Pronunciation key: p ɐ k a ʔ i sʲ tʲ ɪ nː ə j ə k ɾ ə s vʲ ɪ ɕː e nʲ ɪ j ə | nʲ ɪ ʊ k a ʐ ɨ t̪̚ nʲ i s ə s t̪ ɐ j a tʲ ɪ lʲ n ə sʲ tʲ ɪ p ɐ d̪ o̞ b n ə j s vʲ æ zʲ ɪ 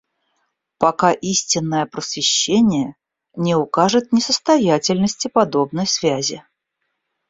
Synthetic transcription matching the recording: p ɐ k a ʔ i sʲ tʲ ɪ nː ə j ə p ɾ ə s vʲ ɪ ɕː e nʲ ɪ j ə | nʲ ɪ ʊ k a ʐ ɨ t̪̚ nʲ ɪ s ə s t̪ ɐ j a tʲ ɪ lʲ n ə sʲ tʲ ɪ p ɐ d̪ o̞ b n ə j s vʲ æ zʲ ɪ